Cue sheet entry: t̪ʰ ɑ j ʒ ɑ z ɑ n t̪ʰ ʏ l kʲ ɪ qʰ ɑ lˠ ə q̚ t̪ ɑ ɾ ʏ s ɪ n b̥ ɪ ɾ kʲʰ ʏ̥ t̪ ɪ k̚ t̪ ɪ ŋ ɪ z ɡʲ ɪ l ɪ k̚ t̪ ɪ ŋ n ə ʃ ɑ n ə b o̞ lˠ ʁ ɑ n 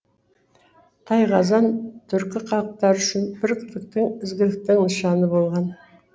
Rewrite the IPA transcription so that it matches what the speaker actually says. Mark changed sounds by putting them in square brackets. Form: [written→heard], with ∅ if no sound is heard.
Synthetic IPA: t̪ʰ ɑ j [ʒ→ʁ] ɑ z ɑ n t̪ʰ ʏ [l→ɾ] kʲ ɪ qʰ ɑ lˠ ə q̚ t̪ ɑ ɾ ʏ [s→ʃ] ɪ n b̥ ɪ ɾ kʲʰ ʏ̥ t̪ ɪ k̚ t̪ ɪ ŋ ɪ z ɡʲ ɪ l ɪ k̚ t̪ ɪ ŋ n ə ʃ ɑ n ə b o̞ lˠ ʁ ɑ n